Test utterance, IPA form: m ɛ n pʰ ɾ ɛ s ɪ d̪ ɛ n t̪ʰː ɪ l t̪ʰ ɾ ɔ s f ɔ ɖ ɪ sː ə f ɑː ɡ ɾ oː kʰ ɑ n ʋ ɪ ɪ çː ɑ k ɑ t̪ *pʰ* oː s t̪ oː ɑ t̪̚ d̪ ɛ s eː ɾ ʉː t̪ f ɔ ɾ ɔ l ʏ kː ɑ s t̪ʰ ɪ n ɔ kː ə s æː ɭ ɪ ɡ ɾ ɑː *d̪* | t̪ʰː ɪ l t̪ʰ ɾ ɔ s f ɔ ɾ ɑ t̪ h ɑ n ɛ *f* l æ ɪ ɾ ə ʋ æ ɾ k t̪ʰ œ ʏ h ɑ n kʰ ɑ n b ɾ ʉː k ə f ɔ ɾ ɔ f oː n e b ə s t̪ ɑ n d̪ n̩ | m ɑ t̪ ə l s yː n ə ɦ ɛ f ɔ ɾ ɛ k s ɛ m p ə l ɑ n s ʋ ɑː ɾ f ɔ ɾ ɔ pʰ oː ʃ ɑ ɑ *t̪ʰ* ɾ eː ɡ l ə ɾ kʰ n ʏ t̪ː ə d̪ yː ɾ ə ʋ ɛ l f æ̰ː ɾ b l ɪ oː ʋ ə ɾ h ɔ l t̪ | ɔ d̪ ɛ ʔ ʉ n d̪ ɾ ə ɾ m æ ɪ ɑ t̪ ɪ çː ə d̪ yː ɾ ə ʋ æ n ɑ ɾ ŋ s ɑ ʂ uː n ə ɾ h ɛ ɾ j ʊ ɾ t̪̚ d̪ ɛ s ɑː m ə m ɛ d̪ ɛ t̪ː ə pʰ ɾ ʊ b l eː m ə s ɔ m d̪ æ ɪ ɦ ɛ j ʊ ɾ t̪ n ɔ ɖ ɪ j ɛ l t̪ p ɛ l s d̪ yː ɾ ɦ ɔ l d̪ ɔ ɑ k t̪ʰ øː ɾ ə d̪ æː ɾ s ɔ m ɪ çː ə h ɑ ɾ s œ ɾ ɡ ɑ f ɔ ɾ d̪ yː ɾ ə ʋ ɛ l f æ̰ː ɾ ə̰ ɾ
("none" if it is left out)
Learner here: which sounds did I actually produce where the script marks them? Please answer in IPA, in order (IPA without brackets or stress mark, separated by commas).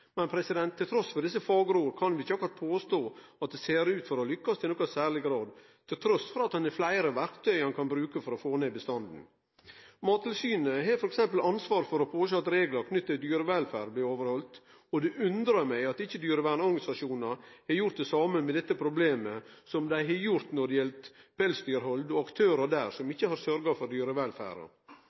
pʰ, d̪, f, t̪